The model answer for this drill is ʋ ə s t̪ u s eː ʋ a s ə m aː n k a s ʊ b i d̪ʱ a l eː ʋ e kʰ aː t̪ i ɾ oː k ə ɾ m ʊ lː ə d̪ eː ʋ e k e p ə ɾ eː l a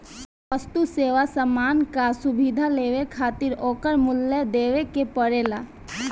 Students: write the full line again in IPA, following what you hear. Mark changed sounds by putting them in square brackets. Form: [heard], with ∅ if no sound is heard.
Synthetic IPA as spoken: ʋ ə s t̪ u s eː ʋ a s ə m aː n k a s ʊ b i d̪ʱ a l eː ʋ e kʰ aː t̪ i ɾ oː k ə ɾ m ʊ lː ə d̪ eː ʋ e k e p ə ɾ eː l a